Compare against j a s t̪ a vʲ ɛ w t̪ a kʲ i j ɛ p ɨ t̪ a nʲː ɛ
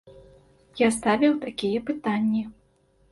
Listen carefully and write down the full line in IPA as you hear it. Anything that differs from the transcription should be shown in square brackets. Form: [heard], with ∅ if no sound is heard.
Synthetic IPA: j a s t̪ a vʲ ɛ w t̪ a kʲ i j ɛ p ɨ t̪ a nʲː [i]